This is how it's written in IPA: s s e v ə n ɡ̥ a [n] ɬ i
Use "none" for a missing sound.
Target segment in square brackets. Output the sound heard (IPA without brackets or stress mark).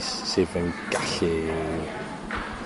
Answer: none